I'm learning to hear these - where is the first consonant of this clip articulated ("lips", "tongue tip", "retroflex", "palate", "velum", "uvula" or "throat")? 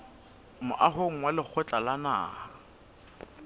lips